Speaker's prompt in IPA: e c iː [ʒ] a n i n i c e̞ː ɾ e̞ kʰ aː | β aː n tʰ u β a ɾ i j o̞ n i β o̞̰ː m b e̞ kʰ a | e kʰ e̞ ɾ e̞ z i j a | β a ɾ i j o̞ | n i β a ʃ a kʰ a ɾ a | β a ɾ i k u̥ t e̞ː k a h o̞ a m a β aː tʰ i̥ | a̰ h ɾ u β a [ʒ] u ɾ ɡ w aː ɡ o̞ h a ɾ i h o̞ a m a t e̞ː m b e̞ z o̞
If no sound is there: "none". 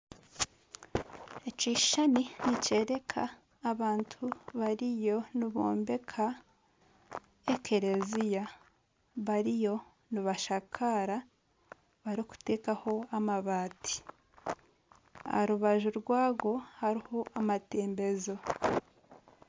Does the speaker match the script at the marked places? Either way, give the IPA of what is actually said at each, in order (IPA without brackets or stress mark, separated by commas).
ʃ, ʒ